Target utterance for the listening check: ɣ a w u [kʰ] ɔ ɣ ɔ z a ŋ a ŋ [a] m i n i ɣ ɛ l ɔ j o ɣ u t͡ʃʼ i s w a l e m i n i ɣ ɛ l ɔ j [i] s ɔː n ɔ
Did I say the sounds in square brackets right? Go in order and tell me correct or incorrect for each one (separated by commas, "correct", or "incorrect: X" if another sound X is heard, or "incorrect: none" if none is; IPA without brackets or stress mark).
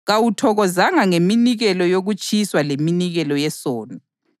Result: incorrect: tʰ, incorrect: e, incorrect: ɛ